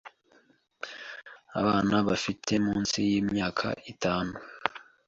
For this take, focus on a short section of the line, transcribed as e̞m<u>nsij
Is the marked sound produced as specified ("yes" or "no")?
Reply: no